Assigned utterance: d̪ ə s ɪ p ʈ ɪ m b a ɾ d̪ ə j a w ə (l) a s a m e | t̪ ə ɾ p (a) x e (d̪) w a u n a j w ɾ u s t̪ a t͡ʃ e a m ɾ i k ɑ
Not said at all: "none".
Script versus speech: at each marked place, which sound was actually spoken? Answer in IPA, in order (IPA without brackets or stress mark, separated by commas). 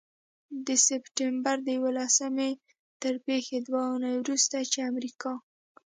l, e, d̪